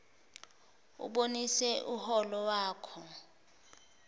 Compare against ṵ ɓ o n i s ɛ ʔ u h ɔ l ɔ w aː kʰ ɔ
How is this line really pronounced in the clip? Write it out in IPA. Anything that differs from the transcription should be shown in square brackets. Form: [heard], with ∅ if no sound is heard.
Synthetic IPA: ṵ ɓ o n i s ɛ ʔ u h ɔ l ɔ w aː kʰ ɔ